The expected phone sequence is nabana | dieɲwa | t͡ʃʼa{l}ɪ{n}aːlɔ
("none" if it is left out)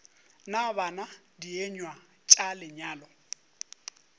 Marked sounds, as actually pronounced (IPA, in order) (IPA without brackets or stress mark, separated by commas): l, ɲ